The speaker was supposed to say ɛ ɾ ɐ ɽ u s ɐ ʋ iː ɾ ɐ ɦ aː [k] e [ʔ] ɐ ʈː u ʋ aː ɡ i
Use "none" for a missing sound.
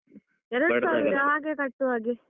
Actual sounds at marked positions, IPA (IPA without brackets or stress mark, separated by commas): ɡ, k